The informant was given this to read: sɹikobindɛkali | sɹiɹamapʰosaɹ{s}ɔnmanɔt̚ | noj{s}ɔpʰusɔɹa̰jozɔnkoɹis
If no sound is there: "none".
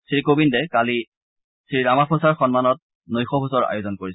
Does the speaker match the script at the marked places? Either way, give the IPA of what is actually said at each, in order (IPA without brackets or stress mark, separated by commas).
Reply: x, x